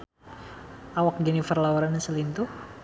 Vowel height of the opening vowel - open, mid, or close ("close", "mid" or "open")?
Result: open